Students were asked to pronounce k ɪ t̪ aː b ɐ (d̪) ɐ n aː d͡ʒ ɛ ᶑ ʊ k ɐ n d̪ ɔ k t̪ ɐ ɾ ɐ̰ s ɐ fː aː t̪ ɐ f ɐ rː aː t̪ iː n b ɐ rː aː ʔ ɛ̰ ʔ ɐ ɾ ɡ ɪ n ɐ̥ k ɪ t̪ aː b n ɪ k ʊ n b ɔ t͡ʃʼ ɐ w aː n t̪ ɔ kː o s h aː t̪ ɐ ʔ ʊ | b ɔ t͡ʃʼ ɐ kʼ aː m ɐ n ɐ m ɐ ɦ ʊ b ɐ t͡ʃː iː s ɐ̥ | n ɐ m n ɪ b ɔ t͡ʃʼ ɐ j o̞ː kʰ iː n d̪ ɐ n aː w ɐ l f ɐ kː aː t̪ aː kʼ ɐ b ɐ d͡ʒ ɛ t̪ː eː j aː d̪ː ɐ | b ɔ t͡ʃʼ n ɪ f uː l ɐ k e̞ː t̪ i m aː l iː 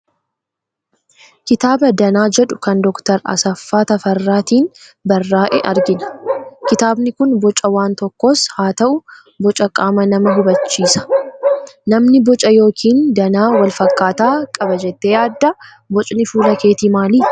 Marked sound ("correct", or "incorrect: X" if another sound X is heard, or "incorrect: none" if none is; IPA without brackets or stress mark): correct